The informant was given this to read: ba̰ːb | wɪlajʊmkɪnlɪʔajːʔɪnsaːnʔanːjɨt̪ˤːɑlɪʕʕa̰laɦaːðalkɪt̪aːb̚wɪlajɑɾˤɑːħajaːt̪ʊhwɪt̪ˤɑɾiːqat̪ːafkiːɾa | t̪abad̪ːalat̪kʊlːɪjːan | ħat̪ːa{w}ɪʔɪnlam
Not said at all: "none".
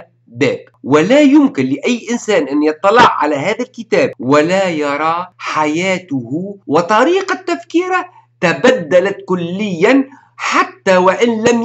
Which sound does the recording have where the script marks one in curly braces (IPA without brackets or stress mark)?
w